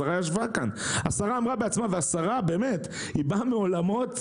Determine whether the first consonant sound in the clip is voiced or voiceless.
voiced